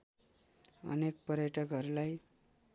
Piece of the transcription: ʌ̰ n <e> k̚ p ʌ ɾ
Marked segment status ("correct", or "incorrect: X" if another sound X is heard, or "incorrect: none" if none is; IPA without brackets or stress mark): correct